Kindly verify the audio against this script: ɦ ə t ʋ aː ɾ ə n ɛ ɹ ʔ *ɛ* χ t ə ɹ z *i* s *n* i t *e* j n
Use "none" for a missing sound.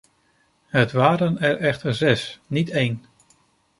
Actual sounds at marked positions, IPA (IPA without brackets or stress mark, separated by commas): ɛ, ɛ, n, e